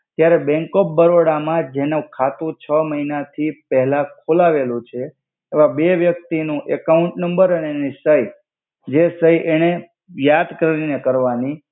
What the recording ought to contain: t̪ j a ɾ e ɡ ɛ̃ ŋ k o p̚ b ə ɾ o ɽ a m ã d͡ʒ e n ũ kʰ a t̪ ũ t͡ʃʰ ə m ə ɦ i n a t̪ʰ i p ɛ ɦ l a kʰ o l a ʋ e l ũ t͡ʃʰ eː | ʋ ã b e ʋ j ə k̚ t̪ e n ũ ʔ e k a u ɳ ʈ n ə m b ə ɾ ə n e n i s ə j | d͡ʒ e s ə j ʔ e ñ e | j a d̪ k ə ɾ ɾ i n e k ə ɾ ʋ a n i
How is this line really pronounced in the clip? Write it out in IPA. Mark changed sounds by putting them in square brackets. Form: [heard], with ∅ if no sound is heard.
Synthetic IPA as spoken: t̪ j a ɾ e [b] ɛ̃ ŋ k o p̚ b ə ɾ o ɽ a m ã d͡ʒ e n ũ kʰ a t̪ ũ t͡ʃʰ ə m ə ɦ i n a t̪ʰ i p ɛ ɦ l a kʰ o l a ʋ e l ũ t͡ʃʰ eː | ʋ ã b e ʋ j ə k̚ t̪ [i] n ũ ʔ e k a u ɳ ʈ n ə m b ə ɾ ə n e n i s ə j | d͡ʒ e s ə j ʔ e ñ e | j a d̪ k ə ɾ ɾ i n e k ə ɾ ʋ a n i